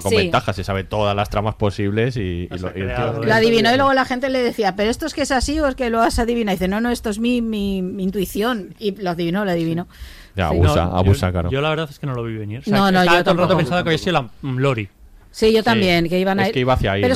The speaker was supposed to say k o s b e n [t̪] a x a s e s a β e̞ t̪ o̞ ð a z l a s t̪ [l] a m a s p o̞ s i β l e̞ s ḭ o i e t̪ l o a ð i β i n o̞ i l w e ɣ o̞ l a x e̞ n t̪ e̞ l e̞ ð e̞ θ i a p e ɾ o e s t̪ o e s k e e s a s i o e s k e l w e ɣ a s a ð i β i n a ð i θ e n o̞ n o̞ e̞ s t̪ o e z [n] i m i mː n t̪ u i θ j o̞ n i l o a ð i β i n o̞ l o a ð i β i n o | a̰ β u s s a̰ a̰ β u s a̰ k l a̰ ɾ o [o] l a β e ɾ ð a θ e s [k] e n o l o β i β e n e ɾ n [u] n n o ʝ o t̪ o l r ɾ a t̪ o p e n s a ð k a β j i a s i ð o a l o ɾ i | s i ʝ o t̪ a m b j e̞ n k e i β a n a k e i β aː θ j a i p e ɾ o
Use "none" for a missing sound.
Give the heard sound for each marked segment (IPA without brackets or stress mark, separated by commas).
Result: t̪, ɾ, m, o, k, o